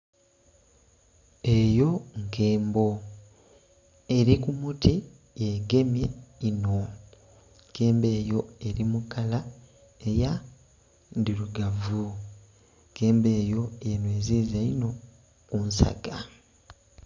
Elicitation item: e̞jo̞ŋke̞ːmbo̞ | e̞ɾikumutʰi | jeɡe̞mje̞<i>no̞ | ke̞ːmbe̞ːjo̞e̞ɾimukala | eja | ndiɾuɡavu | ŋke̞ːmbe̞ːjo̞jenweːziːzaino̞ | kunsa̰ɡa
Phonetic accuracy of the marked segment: correct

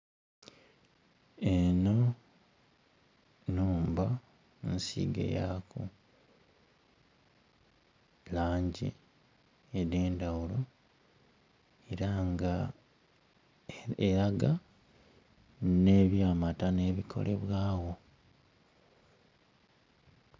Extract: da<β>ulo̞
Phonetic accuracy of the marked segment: incorrect: w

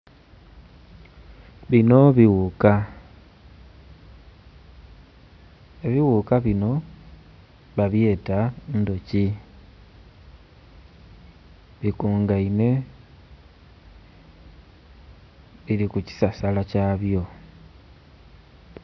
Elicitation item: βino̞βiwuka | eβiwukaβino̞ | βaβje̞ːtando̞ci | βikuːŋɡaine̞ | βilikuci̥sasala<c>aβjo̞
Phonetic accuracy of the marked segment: correct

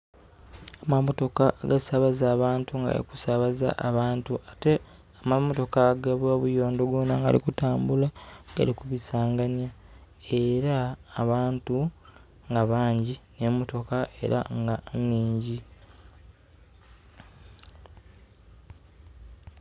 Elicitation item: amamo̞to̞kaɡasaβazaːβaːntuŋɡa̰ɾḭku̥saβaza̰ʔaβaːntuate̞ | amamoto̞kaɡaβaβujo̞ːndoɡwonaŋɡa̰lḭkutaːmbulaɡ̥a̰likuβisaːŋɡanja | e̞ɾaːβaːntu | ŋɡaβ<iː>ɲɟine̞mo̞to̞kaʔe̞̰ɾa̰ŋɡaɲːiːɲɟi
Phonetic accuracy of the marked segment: incorrect: aː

